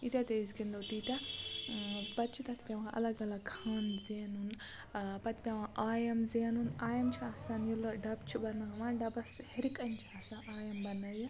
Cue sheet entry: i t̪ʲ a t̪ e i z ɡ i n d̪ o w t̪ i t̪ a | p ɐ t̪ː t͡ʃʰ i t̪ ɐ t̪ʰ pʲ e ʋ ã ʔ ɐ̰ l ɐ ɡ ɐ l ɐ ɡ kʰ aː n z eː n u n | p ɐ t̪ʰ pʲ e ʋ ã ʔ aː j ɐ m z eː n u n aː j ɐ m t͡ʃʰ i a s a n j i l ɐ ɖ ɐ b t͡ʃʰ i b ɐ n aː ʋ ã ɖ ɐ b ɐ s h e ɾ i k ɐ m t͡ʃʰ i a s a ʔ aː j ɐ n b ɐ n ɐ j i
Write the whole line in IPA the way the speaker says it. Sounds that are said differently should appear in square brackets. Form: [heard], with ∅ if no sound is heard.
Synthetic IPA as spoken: i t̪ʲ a t̪ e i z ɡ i n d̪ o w t̪ i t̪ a | p ɐ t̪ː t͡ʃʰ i t̪ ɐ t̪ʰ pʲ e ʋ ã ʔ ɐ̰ l ɐ ɡ ɐ l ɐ ɡ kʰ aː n z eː n u n | p ɐ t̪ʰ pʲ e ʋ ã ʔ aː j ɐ m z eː n u n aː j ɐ m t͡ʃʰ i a s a n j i l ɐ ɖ ɐ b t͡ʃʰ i b ɐ n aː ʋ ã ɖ ɐ b ɐ s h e ɾ i k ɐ [n] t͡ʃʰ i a s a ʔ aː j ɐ [m] b ɐ n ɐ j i